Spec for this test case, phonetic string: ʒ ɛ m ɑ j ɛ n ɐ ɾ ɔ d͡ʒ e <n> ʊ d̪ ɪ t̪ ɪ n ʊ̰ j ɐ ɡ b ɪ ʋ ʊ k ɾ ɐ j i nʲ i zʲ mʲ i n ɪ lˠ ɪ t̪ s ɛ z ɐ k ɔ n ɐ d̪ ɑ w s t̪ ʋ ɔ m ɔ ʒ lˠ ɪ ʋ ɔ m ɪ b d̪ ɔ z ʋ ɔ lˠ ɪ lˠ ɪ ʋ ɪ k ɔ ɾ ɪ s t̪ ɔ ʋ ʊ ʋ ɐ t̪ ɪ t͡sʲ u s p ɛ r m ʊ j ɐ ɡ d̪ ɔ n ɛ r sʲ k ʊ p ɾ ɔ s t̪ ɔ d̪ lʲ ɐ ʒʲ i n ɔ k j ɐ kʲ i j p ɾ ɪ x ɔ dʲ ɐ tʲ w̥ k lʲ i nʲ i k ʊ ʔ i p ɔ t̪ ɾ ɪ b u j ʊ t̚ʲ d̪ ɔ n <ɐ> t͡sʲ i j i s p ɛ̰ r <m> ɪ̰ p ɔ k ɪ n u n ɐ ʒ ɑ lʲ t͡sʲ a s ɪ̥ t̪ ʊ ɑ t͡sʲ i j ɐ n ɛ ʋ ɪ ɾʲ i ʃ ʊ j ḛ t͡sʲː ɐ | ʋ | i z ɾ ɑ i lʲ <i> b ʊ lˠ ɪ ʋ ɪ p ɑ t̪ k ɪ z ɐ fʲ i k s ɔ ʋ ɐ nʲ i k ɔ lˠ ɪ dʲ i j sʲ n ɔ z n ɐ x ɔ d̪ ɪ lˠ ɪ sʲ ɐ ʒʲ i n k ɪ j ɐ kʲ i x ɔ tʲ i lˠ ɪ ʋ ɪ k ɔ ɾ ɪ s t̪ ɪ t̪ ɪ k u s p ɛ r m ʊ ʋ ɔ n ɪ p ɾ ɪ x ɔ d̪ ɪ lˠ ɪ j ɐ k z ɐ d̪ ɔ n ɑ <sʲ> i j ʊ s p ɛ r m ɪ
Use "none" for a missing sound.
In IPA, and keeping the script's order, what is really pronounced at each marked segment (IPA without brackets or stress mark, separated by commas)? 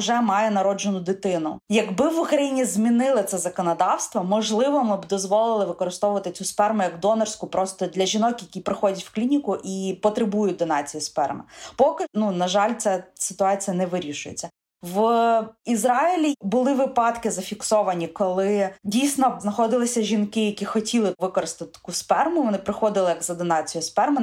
n, ɑ, m, i, t͡sʲ